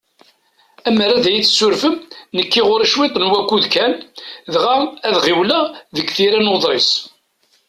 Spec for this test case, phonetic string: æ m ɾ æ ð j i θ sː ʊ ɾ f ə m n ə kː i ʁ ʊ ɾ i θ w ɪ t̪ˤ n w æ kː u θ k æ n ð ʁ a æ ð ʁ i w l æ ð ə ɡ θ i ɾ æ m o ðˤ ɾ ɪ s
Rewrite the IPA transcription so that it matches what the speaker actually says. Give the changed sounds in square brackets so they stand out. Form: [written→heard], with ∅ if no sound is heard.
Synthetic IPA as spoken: æ m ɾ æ ð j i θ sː ʊ ɾ f ə m n ə kː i ʁ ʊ ɾ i [θ→ʃ] w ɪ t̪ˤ n w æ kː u [θ→ð] k æ n ð ʁ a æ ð ʁ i w l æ ð ə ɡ θ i ɾ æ [m→n] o ðˤ ɾ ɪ s